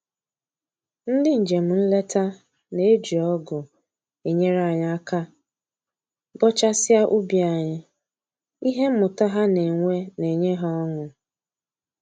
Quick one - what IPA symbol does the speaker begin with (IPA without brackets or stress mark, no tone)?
n̩